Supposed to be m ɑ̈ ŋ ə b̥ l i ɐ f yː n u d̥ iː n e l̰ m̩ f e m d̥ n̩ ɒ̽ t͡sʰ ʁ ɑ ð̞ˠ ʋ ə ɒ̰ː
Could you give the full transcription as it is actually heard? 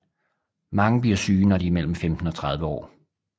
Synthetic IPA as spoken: m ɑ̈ ŋ ə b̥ l i ɐ s yː n ɒ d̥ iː m e l̰ m̩ f e m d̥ n̩ ɒ̽ t͡sʰ ʁ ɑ ð̞ˠ ʋ ə ɒ̰ː

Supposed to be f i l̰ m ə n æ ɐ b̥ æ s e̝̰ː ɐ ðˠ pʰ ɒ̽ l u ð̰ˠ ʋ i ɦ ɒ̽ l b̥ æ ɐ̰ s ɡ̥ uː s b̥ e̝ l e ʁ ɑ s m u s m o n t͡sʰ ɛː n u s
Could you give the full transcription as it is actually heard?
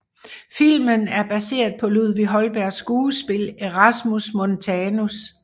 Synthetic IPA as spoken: f i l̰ m ə n æ ɐ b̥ æ s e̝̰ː ɐ ðˠ pʰ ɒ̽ l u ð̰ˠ ʋ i ɦ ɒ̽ l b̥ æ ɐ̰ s ɡ̥ uː s b̥ e̝ l e ʁ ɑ s m u s m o n t͡sʰ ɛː n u s

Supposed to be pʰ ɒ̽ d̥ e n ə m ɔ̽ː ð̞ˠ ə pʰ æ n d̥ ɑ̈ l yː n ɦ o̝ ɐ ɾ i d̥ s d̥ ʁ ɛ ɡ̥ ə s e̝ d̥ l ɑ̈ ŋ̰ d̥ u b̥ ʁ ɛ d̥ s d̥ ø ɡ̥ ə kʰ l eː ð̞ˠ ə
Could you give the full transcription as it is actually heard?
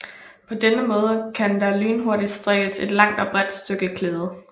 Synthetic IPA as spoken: pʰ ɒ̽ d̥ e n ə m ɔ̽ː ð̞ˠ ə kʰ æ n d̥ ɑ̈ l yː n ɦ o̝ ɐ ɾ i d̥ s d̥ ʁ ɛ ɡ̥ ə s e̝ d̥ l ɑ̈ ŋ̰ d̥ ɒ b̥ ʁ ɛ d̥ s d̥ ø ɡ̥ ə kʰ l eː ð̞ˠ ə

